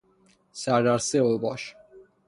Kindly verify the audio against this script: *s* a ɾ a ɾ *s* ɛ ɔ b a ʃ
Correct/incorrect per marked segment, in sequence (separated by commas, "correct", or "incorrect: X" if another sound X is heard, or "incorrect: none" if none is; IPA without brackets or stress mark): correct, correct